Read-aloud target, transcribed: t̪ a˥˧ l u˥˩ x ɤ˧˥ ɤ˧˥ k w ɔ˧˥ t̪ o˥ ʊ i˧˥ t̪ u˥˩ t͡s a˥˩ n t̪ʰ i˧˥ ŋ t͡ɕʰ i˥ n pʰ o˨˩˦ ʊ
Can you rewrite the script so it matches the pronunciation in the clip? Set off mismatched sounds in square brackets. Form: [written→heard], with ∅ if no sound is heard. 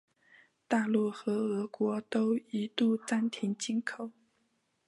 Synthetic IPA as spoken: t̪ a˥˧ l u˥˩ x ɤ˧˥ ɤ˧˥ k w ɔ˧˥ t̪ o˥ ʊ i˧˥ t̪ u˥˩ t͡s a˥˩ n t̪ʰ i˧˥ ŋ [t͡ɕʰ→t͡ɕ] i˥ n [pʰ→kʰ] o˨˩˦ ʊ